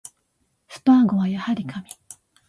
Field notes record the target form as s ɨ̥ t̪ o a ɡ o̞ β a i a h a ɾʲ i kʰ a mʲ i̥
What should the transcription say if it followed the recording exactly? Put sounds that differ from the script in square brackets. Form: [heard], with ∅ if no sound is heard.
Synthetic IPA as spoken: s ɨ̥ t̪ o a ɡ o̞ β a [j] a h a ɾʲ i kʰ a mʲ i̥